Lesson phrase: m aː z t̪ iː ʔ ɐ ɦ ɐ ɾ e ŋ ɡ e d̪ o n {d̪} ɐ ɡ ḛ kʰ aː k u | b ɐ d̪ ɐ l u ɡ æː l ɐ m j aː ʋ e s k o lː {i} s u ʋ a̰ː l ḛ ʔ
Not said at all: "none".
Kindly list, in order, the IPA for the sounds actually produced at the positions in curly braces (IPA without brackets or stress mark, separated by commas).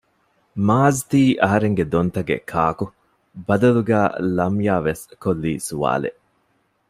t̪, iː